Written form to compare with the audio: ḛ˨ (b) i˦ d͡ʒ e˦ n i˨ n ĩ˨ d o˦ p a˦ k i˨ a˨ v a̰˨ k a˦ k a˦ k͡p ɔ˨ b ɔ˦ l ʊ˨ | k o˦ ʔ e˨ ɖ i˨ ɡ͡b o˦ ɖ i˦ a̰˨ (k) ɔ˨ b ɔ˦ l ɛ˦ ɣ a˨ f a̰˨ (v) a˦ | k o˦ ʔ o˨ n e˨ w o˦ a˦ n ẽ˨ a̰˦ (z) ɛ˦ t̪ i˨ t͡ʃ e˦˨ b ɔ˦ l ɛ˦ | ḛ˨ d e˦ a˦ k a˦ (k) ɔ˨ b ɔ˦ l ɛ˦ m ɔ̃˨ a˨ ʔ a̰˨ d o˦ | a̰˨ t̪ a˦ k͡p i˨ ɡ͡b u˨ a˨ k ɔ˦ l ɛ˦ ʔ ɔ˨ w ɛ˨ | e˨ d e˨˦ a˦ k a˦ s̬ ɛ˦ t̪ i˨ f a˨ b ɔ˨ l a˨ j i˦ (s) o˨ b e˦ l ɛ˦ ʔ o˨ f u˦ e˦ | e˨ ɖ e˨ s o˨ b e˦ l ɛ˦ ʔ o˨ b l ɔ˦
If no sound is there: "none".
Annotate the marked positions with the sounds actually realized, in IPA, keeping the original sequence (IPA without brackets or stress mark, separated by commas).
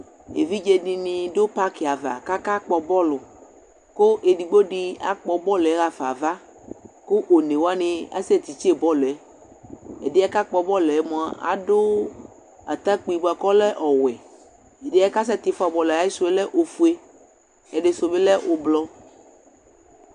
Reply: v, k͡p, v, s, k͡p, s